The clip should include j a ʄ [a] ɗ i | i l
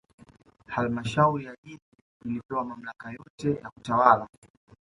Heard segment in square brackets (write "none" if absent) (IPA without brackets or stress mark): i